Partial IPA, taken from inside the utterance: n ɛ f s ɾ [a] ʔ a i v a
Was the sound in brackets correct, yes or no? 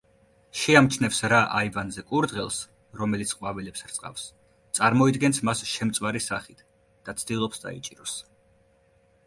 yes